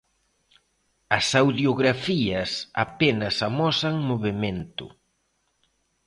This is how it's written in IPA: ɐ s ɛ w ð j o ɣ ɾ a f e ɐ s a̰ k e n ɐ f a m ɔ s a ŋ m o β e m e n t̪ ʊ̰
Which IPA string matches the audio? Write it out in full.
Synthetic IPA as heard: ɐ s a w ð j o ɣ ɾ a f i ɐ s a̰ p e n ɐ s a m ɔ s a ŋ m o β e m e n t̪ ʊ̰